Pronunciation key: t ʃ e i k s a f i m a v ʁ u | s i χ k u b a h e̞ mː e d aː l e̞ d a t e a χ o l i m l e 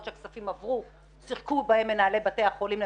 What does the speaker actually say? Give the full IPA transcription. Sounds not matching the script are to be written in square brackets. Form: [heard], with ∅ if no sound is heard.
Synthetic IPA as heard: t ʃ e [a] k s a f i m a v ʁ u | s i χ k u b a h e̞ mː e [n] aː l e̞ [b] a t e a χ o l i m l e